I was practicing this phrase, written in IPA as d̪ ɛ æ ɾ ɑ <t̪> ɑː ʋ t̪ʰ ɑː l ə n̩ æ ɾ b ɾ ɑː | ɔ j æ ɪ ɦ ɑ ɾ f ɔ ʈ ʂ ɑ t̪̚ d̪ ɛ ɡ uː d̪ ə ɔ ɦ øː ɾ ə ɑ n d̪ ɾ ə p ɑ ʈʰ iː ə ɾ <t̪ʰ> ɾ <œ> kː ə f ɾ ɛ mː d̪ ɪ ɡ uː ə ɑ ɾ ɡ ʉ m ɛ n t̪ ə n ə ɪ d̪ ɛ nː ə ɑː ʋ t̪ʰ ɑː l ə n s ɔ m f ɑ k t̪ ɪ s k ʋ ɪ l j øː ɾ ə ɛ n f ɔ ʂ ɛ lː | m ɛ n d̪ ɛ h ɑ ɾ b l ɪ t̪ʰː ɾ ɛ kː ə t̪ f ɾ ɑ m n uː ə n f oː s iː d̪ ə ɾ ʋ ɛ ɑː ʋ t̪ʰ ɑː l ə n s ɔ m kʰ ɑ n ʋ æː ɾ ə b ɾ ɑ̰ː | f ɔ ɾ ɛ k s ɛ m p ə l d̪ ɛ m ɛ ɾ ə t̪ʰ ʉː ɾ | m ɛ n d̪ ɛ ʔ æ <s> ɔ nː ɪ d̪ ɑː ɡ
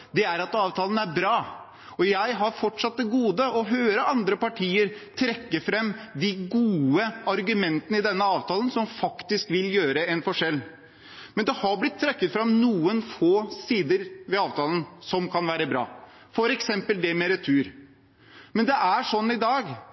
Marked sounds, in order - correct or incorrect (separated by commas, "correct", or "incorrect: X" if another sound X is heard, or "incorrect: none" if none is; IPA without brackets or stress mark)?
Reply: correct, correct, incorrect: ɛ, incorrect: ʂ